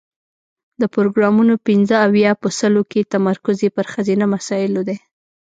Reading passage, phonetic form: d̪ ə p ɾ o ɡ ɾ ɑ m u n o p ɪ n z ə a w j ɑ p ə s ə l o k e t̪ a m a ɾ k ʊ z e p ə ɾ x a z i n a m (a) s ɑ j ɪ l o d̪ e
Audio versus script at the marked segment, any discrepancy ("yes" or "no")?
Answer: no